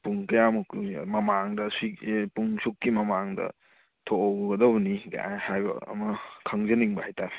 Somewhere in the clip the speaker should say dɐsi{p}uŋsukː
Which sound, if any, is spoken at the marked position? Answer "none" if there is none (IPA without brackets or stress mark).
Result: p